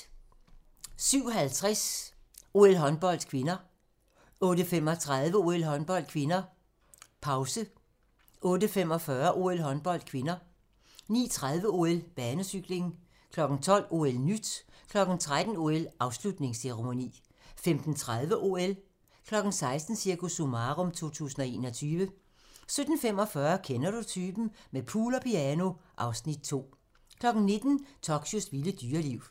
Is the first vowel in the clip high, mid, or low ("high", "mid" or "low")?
high